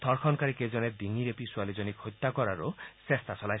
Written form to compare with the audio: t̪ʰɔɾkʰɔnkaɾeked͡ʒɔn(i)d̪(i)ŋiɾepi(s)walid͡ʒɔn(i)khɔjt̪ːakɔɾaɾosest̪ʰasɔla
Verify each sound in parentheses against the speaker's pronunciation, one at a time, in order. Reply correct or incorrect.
incorrect, correct, correct, correct

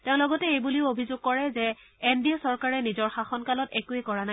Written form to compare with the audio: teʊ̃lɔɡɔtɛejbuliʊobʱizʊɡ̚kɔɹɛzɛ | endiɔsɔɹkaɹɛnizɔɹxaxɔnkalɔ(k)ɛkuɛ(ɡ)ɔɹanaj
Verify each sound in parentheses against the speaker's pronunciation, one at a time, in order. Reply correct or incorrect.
incorrect, incorrect

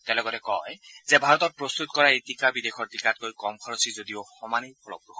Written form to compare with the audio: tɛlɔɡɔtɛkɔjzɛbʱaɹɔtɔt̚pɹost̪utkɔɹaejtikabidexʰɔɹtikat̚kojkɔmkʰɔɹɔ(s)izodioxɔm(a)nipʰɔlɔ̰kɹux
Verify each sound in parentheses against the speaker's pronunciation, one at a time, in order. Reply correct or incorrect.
correct, correct

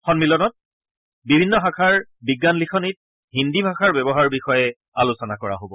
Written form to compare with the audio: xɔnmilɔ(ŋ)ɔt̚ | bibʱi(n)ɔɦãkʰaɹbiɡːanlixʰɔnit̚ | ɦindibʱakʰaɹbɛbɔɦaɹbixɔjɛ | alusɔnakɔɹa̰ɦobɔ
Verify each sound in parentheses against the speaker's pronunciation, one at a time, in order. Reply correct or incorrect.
incorrect, incorrect

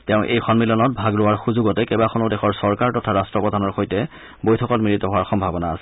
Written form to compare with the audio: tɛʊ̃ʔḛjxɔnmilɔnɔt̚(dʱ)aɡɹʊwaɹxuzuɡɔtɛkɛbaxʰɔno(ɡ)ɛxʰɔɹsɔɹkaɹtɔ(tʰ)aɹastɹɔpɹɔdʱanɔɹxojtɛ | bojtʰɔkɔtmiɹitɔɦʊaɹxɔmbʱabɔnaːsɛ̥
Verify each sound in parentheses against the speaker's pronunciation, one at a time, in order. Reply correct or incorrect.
incorrect, incorrect, correct

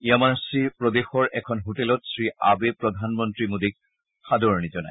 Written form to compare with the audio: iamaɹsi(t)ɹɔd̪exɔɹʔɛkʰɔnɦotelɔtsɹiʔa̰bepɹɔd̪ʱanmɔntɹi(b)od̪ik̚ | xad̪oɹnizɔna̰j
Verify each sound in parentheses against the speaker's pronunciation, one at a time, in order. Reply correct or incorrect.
incorrect, incorrect

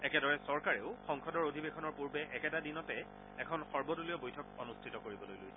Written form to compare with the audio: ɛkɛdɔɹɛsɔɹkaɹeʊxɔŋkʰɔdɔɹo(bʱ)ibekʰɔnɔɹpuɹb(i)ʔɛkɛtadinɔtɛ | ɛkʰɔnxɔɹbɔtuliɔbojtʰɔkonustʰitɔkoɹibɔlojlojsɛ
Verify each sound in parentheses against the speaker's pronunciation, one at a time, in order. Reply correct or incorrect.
incorrect, incorrect

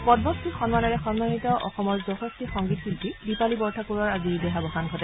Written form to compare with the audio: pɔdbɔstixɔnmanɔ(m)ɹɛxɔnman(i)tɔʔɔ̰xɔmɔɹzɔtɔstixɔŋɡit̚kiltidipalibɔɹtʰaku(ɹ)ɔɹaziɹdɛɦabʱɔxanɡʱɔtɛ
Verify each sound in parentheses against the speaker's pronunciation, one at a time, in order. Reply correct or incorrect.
incorrect, correct, correct

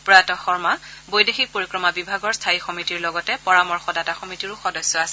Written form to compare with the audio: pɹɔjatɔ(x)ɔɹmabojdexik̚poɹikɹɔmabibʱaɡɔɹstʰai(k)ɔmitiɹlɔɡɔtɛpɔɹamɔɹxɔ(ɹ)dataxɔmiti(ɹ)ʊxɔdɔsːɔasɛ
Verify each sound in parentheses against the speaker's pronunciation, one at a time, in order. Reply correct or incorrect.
correct, incorrect, incorrect, correct

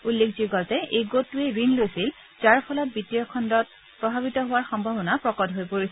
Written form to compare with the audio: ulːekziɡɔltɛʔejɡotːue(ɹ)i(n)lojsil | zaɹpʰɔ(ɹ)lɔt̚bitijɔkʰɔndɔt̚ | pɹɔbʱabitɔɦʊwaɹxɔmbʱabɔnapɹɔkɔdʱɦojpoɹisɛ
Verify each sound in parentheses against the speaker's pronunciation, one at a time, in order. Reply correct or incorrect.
correct, correct, incorrect

